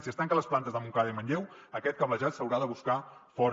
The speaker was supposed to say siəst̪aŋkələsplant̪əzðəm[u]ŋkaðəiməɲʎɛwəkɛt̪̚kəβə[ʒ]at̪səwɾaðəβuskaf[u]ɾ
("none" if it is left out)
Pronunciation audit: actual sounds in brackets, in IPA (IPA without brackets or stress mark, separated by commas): u, ʒ, ɔ